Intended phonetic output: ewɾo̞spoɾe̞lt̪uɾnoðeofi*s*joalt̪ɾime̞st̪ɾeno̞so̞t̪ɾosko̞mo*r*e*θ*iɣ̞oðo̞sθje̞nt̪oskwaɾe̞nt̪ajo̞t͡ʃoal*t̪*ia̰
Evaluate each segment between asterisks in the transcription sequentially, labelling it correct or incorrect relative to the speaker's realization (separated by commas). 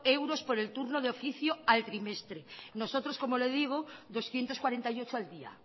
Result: incorrect, incorrect, incorrect, incorrect